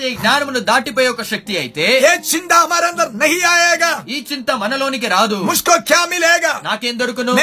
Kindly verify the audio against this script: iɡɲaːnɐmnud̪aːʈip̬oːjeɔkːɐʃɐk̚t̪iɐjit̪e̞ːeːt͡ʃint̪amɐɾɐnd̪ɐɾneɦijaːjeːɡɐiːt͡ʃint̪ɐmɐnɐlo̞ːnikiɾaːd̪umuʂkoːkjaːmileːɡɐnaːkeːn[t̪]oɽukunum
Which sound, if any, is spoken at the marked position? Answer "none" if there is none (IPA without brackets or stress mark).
d̪